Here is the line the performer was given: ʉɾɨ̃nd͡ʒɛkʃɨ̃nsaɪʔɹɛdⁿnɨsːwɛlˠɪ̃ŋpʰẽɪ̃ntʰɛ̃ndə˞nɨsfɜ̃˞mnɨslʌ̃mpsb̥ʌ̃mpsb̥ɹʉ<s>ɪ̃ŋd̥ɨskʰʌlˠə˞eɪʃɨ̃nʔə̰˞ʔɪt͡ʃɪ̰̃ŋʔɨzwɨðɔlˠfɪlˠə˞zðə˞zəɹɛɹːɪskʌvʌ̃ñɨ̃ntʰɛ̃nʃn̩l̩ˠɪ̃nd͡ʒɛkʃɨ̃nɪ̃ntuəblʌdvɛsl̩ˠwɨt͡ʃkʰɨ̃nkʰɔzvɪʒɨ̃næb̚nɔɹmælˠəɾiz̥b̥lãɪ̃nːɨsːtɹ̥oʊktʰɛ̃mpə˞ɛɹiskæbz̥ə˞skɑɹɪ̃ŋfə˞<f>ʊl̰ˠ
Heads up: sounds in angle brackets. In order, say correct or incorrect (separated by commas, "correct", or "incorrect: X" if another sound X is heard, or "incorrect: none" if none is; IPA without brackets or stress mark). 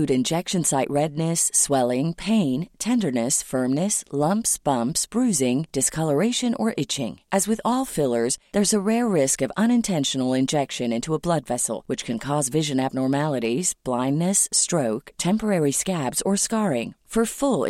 incorrect: z, correct